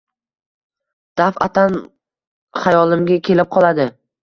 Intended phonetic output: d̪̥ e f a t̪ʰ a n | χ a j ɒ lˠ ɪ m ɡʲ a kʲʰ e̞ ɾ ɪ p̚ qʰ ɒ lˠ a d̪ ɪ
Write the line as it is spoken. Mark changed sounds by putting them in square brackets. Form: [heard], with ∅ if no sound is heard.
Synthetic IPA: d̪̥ [a] f a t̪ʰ a n | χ a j ɒ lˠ ɪ m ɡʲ a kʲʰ e̞ [l] ɪ p̚ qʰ ɒ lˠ a d̪ ɪ